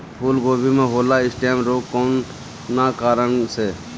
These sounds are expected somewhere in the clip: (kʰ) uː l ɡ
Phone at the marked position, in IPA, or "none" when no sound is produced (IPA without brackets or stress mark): pʰ